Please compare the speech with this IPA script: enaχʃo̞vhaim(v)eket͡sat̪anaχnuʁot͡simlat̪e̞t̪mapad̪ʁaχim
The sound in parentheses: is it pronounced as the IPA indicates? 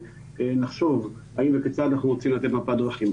yes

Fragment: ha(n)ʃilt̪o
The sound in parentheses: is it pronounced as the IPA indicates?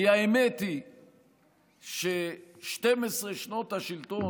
no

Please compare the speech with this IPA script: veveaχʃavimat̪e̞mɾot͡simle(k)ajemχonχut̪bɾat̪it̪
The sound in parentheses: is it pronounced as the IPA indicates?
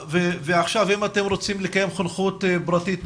yes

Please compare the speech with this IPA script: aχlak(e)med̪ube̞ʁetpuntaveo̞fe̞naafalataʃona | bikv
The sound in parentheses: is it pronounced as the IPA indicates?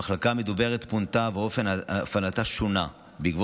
no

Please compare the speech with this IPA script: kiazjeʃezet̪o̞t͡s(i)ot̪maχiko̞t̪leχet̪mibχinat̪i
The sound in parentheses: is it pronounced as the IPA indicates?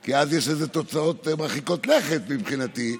no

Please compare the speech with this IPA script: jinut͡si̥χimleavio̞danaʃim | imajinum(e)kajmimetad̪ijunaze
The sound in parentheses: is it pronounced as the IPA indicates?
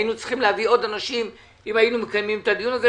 yes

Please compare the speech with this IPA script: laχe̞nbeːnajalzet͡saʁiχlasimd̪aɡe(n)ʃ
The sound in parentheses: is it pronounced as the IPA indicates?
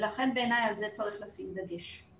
no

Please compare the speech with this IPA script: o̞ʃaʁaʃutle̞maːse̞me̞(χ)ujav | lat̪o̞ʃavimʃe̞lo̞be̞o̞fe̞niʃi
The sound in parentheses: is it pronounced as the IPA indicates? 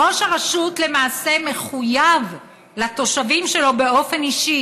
yes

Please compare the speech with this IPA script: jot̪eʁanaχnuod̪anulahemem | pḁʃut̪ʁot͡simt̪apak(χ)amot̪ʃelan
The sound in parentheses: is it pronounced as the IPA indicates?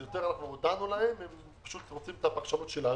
no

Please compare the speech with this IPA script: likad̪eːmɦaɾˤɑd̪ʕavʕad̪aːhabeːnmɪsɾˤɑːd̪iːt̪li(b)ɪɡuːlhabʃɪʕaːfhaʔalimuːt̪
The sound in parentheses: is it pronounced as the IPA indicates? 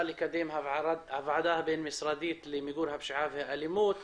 no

